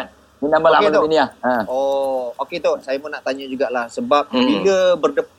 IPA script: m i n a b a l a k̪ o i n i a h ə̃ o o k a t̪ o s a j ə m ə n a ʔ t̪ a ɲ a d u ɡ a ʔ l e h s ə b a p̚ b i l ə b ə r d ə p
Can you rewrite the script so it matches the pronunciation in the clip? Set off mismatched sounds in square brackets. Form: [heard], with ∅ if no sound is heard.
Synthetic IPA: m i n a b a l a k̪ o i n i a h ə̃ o o k [e] t̪ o s a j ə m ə n a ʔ t̪ a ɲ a [d͡ʒ] u ɡ a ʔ l [a] h s ə b a p̚ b i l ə b ə r d ə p